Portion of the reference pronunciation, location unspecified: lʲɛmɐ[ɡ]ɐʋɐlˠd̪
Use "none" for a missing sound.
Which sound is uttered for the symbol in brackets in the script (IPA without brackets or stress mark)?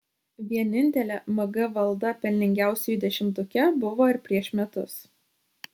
ɡ